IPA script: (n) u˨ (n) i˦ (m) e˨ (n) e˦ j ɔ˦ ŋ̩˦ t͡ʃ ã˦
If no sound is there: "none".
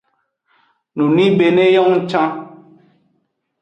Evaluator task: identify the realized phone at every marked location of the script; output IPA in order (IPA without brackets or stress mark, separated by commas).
n, n, b, n